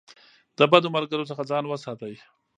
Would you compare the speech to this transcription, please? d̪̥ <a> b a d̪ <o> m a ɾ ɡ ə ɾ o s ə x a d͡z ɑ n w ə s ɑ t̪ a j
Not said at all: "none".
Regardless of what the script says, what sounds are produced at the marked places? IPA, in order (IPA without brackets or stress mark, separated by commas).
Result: ə, o